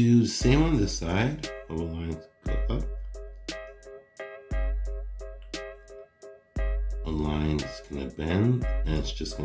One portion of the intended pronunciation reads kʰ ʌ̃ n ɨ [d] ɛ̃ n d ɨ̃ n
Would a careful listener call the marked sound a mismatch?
yes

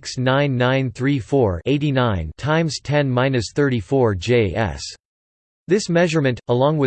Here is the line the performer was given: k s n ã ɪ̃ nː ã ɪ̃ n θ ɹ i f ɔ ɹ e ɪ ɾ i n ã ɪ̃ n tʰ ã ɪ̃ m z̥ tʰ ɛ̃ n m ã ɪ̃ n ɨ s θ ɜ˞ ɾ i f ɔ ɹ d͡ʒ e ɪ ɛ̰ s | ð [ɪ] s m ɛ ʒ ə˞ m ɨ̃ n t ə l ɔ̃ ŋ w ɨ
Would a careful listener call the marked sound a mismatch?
no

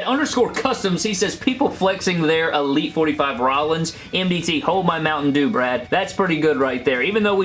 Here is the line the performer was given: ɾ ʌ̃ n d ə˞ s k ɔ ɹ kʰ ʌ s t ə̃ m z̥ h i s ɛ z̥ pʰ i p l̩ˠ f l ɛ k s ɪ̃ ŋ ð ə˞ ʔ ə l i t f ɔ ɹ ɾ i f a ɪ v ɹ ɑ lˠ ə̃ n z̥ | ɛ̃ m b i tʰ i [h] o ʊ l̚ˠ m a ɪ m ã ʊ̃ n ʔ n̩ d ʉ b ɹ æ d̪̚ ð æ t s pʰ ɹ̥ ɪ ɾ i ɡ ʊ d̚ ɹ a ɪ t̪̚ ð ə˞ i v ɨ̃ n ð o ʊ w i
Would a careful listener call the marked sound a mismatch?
no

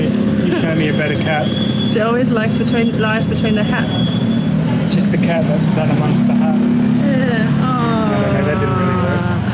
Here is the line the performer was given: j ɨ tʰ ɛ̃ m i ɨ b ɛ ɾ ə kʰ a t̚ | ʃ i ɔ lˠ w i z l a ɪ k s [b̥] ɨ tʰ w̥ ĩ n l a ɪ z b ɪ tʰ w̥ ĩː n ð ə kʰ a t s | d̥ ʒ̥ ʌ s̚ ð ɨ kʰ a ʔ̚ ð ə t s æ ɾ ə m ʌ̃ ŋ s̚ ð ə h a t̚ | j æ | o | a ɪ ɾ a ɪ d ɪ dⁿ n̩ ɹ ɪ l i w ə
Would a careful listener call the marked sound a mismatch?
no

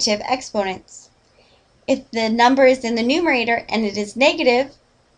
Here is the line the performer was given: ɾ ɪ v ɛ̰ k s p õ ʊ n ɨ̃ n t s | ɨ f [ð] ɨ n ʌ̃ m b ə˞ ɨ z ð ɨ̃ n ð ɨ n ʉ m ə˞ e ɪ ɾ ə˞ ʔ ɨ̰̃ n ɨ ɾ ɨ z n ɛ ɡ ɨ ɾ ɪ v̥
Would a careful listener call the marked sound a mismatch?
no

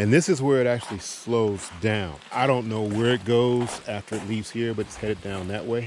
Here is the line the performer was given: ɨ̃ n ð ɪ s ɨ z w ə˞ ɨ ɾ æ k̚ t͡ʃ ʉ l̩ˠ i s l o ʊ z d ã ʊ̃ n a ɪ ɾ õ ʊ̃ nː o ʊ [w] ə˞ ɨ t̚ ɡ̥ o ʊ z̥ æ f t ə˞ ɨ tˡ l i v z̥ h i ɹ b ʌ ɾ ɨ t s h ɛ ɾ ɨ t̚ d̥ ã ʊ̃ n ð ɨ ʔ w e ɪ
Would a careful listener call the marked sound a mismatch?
no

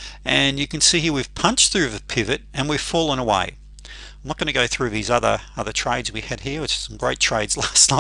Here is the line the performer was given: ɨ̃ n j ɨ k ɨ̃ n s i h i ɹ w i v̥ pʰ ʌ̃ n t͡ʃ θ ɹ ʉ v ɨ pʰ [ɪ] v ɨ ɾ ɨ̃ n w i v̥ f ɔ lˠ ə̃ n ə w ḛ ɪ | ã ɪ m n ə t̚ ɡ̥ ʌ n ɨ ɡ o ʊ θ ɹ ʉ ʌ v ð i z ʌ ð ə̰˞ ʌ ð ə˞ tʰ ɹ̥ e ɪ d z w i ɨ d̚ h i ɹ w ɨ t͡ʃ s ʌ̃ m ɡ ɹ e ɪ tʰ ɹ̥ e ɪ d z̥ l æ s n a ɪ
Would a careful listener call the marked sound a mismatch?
no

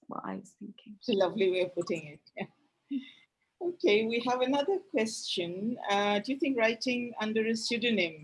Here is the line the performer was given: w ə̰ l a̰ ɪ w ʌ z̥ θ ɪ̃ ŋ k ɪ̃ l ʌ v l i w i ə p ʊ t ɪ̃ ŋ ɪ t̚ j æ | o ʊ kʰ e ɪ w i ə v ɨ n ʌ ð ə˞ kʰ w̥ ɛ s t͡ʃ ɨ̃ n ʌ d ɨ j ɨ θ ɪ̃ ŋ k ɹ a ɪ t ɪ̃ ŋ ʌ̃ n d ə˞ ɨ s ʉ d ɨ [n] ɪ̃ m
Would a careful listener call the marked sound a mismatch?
no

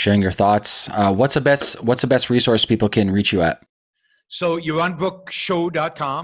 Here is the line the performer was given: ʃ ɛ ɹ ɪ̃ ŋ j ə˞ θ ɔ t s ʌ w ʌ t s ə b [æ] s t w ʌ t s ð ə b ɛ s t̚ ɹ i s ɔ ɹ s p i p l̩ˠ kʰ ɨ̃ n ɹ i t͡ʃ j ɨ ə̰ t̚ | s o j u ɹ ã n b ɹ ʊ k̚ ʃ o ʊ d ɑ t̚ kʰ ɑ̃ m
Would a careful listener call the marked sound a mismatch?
yes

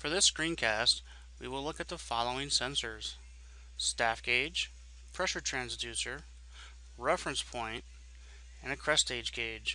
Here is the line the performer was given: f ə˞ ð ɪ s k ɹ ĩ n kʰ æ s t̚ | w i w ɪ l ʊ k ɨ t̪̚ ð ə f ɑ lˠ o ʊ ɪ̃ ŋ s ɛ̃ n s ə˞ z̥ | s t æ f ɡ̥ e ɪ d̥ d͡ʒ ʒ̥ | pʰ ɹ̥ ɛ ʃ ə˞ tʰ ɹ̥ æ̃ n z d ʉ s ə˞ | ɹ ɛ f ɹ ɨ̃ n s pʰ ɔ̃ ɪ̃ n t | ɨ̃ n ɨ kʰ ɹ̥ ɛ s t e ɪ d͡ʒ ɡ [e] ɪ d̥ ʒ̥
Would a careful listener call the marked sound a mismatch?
no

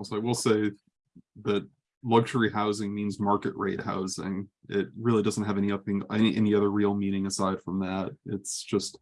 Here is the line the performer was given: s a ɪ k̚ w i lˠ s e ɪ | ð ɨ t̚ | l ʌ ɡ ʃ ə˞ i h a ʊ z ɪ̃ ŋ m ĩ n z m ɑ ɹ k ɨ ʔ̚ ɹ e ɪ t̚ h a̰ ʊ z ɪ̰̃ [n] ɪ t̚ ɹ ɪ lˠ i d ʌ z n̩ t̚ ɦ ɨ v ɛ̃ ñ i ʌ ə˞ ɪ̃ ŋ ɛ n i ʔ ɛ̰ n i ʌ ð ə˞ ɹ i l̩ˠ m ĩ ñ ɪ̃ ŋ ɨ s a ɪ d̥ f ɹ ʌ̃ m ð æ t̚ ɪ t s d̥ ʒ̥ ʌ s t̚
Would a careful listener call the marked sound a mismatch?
yes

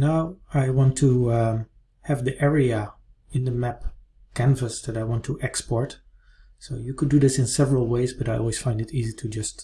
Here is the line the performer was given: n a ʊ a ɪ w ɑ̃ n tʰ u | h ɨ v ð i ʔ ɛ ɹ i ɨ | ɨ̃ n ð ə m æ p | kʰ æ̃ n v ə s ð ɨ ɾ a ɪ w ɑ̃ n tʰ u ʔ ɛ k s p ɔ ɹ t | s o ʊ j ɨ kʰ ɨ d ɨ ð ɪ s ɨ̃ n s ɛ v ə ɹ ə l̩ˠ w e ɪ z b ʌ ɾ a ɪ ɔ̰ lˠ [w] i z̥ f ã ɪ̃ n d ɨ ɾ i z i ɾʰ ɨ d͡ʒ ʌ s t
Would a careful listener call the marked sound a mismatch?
no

